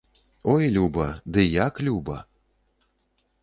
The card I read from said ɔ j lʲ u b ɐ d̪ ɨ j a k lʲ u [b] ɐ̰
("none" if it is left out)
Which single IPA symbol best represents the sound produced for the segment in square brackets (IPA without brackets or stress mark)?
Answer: b